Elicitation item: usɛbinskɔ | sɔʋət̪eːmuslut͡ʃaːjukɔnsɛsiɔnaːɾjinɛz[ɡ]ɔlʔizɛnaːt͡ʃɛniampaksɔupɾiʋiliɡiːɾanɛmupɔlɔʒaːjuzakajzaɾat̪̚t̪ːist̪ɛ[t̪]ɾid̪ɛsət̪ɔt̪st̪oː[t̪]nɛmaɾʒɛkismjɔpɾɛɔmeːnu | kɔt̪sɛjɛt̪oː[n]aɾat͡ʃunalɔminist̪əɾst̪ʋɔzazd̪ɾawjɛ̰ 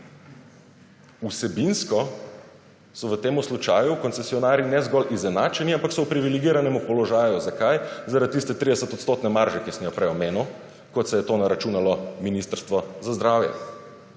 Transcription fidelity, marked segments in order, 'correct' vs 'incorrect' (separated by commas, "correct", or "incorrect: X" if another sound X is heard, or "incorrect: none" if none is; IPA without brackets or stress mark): correct, correct, correct, correct